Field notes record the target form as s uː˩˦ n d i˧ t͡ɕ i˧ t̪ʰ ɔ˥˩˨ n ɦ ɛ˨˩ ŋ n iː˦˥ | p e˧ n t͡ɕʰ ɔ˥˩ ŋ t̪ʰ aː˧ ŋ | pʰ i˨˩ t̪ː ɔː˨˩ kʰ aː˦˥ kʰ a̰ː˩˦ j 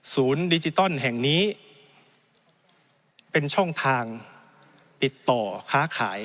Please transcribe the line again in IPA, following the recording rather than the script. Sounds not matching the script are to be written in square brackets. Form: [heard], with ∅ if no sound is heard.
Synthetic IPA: s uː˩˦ n d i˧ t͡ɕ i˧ [t̪] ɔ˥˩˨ n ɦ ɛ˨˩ ŋ n iː˦˥ | p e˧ n t͡ɕʰ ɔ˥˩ ŋ t̪ʰ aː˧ ŋ | [p] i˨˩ t̪ː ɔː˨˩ kʰ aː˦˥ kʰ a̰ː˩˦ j